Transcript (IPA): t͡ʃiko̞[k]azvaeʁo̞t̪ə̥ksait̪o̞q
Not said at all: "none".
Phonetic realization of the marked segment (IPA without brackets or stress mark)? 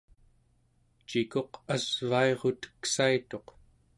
q